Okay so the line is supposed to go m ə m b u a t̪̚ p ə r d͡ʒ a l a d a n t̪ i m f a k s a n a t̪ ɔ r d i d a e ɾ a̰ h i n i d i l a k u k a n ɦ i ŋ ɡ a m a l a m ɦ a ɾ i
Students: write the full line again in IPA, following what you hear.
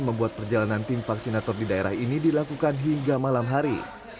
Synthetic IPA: m ə m b u a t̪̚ p ə r d͡ʒ a l a n a n t̪ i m f a k s i n a t̪ ɔ r d i d a e ɾ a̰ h i n i d i l a k u k a n ɦ i ŋ ɡ a m a l a m ɦ a ɾ i